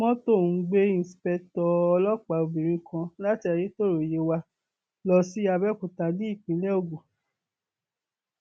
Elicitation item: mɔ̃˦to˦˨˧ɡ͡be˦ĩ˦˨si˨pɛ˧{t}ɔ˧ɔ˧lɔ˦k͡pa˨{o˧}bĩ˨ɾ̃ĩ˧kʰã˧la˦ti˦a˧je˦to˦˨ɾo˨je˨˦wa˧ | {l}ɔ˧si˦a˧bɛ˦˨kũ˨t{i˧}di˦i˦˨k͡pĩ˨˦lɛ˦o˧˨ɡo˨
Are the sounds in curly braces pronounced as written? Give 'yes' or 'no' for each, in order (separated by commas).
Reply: yes, yes, yes, no